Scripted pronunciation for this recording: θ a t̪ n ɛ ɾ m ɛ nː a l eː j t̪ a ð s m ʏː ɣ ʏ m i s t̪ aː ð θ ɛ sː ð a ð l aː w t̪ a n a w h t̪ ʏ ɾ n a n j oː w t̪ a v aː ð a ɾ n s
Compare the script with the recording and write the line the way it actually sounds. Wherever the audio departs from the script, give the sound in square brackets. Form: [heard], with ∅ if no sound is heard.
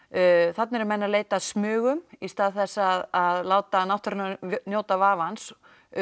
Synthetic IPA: θ a t̪ n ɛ ɾ m ɛ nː a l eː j t̪ a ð s m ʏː ɣ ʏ m i s t̪ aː ð θ ɛ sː ð a ð l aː w t̪ a n a w h t̪ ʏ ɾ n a n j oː w t̪ a v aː [v] a [∅] n s

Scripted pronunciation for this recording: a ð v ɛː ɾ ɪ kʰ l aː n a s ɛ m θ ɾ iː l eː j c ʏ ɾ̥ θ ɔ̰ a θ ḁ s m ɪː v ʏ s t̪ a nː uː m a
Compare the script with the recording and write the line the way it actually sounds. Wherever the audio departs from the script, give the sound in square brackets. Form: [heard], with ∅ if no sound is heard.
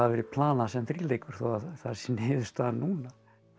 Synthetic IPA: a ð v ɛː ɾ ɪ [pʰ] l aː n a s ɛ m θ ɾ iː l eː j [k] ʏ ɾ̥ θ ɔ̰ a θ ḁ s [n] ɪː [ð] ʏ s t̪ a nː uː [n] a

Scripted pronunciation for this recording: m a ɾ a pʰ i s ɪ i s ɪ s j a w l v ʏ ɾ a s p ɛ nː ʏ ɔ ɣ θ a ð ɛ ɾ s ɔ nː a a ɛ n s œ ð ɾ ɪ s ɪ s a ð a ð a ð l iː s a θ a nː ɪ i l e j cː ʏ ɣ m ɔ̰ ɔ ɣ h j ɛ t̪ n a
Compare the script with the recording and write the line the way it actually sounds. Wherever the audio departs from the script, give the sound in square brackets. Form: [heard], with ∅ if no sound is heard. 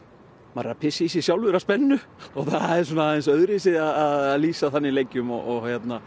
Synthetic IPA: m a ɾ a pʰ [ɪ] s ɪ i s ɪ s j a w l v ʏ ɾ a s p ɛ nː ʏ ɔ ɣ θ a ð ɛ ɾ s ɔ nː a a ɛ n s œ ð ɾ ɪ s ɪ [∅] a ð a ð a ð l iː s a θ a nː ɪ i l e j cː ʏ [∅] m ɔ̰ ɔ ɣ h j ɛ t̪ n a

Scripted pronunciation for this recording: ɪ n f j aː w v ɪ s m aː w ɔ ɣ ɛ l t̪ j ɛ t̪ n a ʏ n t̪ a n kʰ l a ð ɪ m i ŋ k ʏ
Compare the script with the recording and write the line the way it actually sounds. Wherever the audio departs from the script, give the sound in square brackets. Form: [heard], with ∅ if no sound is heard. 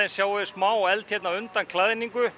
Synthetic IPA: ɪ n [s] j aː w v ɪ s m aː w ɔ ɣ ɛ l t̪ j ɛ t̪ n a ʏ n t̪ a n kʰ l a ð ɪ [n] i ŋ k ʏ

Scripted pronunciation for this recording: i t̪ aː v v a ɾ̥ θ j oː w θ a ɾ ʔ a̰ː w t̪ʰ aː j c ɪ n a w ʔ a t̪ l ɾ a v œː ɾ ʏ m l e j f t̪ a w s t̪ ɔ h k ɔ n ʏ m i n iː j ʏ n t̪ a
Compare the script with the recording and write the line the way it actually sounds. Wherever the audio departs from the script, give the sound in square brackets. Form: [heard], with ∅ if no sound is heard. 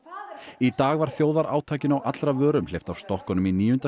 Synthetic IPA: i t̪ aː [ɣ] v a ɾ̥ θ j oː w [ð] a ɾ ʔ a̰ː w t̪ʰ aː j c ɪ n a w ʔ a t̪ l ɾ a v œː ɾ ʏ m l e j f t̪ a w s t̪ ɔ h k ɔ n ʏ m i n iː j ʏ n t̪ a

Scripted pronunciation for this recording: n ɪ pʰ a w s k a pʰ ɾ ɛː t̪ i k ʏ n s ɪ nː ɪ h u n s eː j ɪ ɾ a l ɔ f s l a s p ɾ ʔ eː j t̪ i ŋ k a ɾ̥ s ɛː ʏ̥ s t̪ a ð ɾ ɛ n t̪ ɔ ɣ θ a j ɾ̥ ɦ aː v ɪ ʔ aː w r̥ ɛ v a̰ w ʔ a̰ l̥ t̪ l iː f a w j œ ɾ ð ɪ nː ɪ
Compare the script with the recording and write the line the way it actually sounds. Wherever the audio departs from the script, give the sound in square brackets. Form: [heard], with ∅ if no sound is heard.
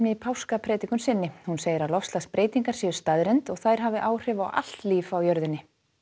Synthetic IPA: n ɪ pʰ a w s k a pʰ ɾ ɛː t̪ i k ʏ n s ɪ nː ɪ h u n s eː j ɪ ɾ a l ɔ f s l a s p ɾ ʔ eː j t̪ i ŋ k a ɾ̥ s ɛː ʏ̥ s t̪ a ð ɾ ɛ n t̪ ɔ ɣ θ a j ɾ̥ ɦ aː v ɪ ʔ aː w r̥ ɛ v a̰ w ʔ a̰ l̥ t̪ l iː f a w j œ ɾ ð ɪ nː ɪ

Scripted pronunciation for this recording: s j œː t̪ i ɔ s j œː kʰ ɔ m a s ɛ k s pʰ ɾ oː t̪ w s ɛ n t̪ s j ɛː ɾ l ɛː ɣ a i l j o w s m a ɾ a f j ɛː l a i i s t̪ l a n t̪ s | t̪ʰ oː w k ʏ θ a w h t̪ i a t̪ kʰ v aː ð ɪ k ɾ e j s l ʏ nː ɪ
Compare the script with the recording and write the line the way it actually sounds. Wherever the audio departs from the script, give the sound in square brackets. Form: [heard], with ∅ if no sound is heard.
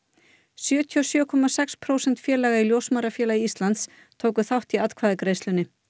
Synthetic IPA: s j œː [t̪ʰ] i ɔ s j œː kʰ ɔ m a s ɛ k s pʰ ɾ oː [∅] w s ɛ n t̪ [f] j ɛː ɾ l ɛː ɣ a i l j o w s m a ɾ a f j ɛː l a i i s t̪ l a n t̪ s | t̪ʰ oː w k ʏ θ a w h t̪ i a t̪ kʰ v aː ð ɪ k ɾ e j s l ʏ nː ɪ

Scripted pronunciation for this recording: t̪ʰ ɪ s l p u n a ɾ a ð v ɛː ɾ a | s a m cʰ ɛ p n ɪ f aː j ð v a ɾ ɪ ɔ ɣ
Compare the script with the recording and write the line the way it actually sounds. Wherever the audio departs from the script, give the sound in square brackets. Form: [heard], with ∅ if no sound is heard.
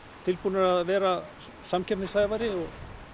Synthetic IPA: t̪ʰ ɪ [∅] l p u n a ɾ a ð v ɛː ɾ a | s a m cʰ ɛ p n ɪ [s] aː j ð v a ɾ ɪ ɔ ɣ

